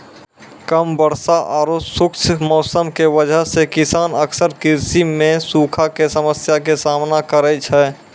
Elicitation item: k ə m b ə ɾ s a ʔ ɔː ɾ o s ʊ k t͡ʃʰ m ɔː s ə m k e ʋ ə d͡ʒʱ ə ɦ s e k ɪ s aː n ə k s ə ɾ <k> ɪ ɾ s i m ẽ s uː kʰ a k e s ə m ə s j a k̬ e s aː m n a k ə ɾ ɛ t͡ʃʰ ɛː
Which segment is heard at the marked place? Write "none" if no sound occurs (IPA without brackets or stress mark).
k